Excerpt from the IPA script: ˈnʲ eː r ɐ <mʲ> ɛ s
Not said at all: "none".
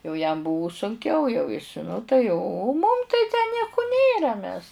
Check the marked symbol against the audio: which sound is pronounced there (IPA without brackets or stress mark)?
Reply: mʲ